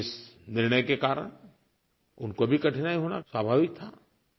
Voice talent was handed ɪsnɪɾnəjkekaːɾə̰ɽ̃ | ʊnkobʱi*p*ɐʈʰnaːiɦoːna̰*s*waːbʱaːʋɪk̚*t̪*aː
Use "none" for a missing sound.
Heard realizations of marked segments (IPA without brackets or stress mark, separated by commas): k, s, t̪ʰ